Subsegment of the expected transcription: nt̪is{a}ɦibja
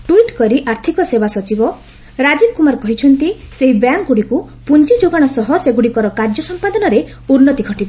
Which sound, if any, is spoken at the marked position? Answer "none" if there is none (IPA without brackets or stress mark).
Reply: e